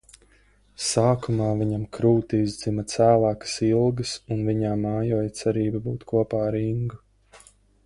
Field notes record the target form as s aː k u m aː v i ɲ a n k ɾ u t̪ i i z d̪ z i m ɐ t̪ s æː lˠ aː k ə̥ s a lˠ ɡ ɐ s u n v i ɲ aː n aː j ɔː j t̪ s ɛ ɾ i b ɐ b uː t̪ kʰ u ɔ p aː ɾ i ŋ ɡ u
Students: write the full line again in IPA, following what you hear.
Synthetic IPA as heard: s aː k u m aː v i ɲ a m k ɾ uː t̪ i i z d̪ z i m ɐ t̪ s æː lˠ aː k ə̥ s i lˠ ɡ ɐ s u n v i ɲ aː m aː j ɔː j t̪ s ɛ ɾ iː b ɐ b uː t̪ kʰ u ɔ p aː ɾ i ŋ ɡ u